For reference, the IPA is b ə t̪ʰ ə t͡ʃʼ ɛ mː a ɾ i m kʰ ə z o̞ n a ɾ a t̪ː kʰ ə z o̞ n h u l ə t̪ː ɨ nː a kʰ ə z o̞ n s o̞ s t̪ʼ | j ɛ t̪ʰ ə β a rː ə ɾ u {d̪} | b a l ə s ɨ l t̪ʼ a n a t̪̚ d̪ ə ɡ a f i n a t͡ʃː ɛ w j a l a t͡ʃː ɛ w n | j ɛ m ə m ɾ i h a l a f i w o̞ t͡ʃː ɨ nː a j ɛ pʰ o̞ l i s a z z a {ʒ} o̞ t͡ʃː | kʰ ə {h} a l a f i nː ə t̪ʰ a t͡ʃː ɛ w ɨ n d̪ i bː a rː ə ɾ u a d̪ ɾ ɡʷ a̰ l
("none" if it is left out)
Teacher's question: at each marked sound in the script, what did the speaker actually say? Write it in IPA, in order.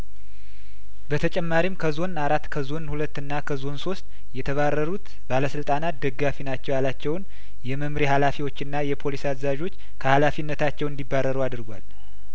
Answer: t̪, ʒ, h

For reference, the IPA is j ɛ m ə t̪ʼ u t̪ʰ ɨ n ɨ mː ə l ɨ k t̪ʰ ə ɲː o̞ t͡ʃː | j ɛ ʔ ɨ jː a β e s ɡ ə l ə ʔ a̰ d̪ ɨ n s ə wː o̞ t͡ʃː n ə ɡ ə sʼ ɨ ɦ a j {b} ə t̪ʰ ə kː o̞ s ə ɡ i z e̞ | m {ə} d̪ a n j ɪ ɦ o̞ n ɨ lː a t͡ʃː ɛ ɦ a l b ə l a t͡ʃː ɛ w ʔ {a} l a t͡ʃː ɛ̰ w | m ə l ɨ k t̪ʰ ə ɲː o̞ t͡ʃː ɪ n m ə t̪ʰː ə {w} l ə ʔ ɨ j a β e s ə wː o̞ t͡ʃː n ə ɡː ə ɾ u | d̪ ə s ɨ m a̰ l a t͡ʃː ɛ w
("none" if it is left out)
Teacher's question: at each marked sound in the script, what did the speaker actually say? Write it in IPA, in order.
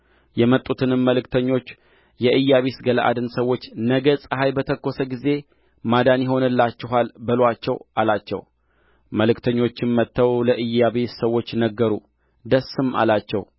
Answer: b, a, a, w

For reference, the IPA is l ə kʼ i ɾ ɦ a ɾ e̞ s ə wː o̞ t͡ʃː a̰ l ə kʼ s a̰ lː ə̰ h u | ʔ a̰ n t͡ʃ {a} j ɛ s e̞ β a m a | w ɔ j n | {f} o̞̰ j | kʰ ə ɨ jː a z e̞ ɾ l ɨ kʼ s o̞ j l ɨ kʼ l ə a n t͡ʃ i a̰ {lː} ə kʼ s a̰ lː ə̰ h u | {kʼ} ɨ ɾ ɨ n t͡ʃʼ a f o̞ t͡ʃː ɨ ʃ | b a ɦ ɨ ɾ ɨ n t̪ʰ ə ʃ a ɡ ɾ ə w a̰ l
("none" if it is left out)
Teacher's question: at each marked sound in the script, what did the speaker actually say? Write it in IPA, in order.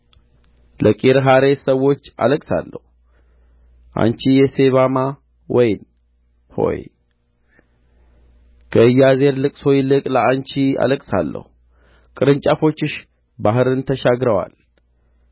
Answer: i, h, l, kʼ

